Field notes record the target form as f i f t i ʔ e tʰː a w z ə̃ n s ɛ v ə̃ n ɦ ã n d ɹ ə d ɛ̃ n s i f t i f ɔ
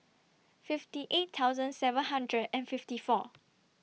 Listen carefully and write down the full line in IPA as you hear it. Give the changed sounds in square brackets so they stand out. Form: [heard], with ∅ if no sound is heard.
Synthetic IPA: f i f t i ʔ e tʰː a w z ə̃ n s ɛ v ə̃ n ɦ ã n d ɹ ə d ɛ̃ n [f] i f t i f ɔ